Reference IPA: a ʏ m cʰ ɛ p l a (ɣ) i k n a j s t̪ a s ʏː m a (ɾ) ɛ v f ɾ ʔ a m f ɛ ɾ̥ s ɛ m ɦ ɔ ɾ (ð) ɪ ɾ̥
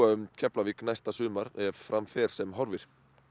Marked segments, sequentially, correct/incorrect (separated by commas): incorrect, correct, incorrect